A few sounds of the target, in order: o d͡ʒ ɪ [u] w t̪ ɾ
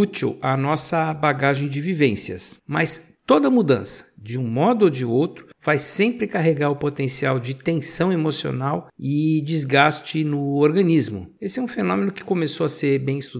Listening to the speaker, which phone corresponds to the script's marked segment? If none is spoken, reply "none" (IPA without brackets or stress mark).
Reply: o